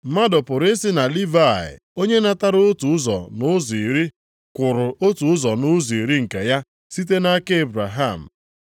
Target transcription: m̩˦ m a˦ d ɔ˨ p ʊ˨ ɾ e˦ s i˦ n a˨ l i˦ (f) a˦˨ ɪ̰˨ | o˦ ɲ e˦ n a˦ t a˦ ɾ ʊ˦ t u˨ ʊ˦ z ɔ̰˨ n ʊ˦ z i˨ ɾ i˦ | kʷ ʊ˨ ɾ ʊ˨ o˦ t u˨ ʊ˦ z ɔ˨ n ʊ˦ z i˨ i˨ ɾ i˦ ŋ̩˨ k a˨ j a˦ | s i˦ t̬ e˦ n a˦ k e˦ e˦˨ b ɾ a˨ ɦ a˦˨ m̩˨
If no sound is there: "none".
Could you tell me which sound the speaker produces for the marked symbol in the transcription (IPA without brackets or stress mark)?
v